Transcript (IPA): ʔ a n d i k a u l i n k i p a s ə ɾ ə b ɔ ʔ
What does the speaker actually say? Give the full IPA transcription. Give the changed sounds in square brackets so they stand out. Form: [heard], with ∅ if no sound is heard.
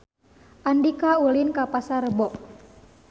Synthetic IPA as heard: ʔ a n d i k a u l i n k [a] p a s [a] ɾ ə b ɔ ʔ